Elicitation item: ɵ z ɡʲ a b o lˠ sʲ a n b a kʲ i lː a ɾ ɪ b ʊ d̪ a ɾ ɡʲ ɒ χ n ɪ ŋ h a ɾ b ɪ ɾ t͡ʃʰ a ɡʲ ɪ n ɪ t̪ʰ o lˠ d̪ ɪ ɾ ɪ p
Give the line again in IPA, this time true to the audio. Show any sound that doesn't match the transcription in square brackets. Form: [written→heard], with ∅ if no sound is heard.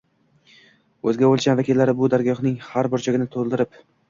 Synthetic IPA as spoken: ɵ z ɡʲ a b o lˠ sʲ a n [b→v] a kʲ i lː a ɾ ɪ b ʊ d̪ a ɾ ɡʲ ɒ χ n ɪ ŋ h a ɾ b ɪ ɾ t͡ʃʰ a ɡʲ ɪ n ɪ t̪ʰ o lˠ d̪ ɪ ɾ ɪ p